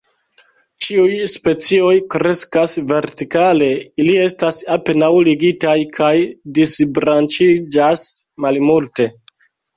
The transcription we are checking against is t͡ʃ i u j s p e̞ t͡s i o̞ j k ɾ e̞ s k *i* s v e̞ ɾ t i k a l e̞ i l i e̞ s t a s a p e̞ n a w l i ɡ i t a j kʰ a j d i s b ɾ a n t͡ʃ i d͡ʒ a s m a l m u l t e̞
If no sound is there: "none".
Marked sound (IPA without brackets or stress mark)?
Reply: a